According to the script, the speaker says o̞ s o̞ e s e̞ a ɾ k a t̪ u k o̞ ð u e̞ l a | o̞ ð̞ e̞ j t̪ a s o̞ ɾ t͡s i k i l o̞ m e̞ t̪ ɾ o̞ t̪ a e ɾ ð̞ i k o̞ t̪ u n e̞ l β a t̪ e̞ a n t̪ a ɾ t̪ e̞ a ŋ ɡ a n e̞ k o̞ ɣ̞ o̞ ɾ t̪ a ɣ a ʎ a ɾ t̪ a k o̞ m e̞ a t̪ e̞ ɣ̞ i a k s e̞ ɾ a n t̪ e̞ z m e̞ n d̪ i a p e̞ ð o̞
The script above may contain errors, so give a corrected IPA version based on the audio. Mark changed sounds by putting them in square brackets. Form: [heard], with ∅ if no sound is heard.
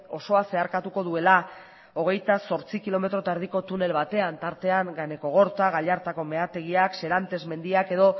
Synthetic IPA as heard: o̞ s o̞ [a] s e̞ a ɾ k a t̪ u k o̞ ð u e̞ l a | o̞ [ɣ̞] e̞ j t̪ a s o̞ ɾ t͡s i k i l o̞ m e̞ t̪ ɾ o̞ t̪ a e ɾ ð̞ i k o̞ t̪ u n e̞ l β a t̪ e̞ a n t̪ a ɾ t̪ e̞ a ŋ ɡ a n e̞ k o̞ ɣ̞ o̞ ɾ t̪ a ɣ a ʎ a ɾ t̪ a k o̞ m e̞ a t̪ e̞ ɣ̞ i a k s e̞ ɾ a n t̪ e̞ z m e̞ n d̪ i a [k] e̞ ð o̞